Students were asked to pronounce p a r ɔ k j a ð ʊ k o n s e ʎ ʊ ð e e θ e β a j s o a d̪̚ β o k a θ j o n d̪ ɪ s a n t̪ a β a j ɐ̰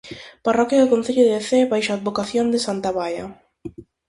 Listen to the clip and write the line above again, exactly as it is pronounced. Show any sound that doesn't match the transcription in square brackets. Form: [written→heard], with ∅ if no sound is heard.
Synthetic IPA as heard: p a r ɔ k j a ð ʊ k o n [s→θ] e ʎ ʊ ð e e θ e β a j [s→ʃ] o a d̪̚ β o k a θ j o n d̪ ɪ s a n t̪ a β a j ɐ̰